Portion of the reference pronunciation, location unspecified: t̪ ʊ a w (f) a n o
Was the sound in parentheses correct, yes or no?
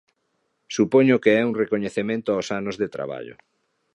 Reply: no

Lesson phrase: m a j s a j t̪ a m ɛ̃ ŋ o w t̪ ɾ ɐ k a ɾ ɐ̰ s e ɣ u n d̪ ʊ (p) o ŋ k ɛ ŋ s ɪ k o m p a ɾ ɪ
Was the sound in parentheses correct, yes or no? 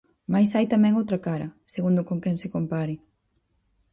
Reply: no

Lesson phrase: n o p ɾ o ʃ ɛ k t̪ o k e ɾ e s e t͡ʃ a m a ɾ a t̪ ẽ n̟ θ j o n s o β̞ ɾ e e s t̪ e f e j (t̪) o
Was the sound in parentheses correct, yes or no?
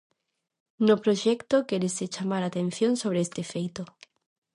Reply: yes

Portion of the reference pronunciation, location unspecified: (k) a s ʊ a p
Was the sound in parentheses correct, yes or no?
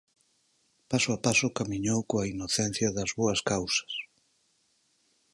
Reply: no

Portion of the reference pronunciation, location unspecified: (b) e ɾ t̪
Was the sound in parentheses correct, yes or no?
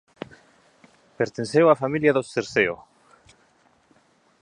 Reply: no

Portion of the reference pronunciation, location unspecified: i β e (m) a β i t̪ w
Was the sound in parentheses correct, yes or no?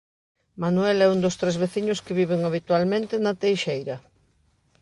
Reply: no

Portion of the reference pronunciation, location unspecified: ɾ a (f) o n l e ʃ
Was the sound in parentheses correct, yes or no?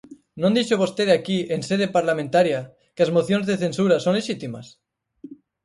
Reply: no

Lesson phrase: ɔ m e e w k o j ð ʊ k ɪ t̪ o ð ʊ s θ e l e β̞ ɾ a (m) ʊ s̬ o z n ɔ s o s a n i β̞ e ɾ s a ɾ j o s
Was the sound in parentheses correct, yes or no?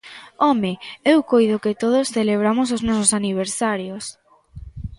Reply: yes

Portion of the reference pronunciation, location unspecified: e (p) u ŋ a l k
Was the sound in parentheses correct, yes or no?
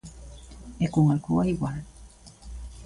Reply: no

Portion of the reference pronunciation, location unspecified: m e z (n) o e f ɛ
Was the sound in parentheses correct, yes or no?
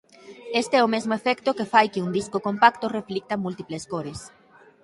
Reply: no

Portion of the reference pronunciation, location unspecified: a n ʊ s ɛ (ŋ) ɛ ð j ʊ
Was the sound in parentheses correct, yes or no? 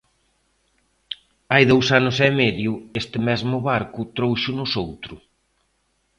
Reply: no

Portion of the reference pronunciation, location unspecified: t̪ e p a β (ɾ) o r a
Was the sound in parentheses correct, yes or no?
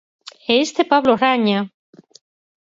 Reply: no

